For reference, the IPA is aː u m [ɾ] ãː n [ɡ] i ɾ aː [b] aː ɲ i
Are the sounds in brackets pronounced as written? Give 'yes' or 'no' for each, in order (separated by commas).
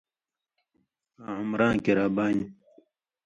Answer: yes, no, yes